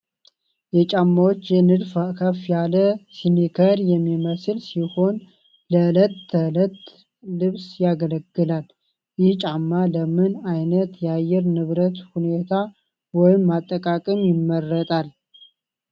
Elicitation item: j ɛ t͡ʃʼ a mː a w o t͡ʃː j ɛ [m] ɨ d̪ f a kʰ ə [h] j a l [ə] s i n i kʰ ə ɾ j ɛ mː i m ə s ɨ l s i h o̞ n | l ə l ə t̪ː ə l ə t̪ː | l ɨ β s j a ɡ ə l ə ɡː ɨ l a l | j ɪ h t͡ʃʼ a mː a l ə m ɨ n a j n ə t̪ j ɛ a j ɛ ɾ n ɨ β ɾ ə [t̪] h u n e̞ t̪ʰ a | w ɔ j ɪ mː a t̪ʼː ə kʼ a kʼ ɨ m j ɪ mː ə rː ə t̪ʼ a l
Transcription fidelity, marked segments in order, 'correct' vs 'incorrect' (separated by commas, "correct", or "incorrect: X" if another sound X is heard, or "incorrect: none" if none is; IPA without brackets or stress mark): incorrect: n, incorrect: f, correct, correct